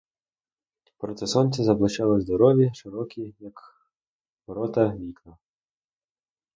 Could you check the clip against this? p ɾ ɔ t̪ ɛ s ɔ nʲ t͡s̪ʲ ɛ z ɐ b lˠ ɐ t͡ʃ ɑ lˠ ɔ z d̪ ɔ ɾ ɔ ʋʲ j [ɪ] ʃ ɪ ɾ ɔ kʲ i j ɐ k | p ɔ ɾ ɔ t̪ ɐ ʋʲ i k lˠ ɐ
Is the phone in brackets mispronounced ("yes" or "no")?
yes